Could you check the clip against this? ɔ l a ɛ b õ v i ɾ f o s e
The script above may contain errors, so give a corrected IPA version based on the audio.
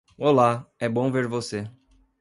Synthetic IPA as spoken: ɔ l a ɛ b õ v e ɾ v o s e